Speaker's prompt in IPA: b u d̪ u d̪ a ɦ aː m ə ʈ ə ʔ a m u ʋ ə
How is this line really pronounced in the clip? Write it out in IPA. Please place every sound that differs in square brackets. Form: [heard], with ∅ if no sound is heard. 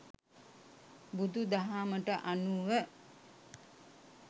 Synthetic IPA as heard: b u d̪ u d̪ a ɦ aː m ə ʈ ə ʔ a [n] u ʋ ə